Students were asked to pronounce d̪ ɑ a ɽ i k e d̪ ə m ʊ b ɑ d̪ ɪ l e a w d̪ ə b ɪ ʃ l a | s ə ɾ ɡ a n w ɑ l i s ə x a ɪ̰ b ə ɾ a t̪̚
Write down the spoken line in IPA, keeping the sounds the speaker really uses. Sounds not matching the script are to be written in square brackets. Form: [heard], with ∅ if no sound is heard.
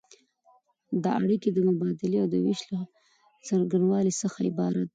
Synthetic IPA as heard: d̪ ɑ a ɽ i k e d̪ ə m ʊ b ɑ d̪ ɪ l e a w d̪ ə [w] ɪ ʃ l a | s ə ɾ ɡ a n w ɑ l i s ə x a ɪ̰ b [ɑ] ɾ a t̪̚